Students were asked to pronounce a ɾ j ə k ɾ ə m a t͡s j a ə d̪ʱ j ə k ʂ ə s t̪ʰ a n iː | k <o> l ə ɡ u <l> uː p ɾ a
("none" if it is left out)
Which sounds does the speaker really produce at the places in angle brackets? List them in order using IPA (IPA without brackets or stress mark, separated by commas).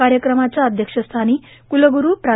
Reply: u, ɾ